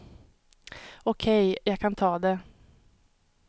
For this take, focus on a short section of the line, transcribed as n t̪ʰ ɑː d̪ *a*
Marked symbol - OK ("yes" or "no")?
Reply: no